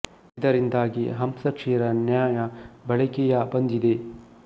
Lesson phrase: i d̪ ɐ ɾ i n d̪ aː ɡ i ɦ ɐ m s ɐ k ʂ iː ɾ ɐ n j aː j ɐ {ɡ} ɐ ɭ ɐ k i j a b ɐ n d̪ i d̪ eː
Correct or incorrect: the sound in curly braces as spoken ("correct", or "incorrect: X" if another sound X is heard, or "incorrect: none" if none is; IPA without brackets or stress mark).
incorrect: b